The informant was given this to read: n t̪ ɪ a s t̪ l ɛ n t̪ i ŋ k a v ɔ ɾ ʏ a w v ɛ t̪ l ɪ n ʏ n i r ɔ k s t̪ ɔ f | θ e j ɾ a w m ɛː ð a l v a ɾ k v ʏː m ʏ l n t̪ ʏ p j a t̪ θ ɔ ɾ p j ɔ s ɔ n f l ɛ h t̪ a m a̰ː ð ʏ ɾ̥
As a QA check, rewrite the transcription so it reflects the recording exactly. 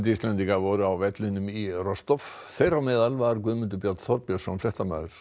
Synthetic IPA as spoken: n t̪ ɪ i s t̪ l ɛ n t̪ i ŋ k a v ɔ ɾ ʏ a w v ɛ t̪ l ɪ n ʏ m i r ɔ s t̪ ɔ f | θ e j ɾ a w m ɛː ð a l v a ɾ k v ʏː m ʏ n t̪ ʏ p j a t̪ θ ɔ ɾ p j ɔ s ɔ n f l ɛ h t̪ a m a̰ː ð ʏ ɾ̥